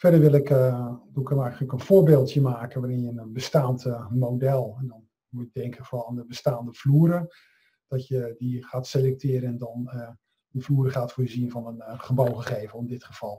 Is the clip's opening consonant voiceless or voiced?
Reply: voiceless